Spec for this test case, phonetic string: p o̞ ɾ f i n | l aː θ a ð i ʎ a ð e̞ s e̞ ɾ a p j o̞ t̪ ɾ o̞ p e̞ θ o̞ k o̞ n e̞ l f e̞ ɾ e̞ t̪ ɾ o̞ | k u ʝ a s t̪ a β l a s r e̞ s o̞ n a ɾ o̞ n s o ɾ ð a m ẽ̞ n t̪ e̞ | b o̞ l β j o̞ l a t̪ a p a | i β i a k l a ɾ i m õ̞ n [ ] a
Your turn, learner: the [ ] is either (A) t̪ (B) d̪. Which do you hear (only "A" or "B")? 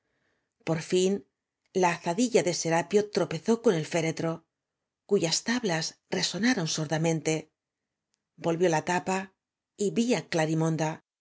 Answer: B